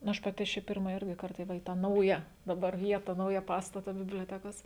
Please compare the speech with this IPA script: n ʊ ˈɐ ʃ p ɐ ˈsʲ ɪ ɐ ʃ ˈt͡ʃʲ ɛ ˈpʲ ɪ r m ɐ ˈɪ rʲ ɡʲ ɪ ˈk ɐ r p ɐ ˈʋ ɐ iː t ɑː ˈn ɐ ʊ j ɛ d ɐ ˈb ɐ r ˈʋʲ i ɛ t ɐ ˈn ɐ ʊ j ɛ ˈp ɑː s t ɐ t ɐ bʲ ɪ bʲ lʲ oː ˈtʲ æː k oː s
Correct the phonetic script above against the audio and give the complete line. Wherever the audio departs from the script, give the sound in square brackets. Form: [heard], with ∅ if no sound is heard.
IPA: n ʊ ˈɐ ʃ p ɐ [ˈtʲ] ɪ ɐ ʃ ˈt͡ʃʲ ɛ ˈpʲ ɪ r m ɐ ˈɪ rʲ ɡʲ ɪ ˈk ɐ r [t] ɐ ˈʋ ɐ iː t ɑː ˈn ɐ ʊ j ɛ d ɐ ˈb ɐ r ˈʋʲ i ɛ t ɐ ˈn ɐ ʊ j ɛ ˈp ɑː s t ɐ t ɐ bʲ ɪ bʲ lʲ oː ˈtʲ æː k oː s